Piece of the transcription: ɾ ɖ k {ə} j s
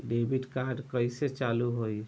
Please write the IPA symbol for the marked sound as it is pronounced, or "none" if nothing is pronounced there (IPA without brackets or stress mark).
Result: ə